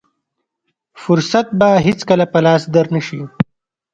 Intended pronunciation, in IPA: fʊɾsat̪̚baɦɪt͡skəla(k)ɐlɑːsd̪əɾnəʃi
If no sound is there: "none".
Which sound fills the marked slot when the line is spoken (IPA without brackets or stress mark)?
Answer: p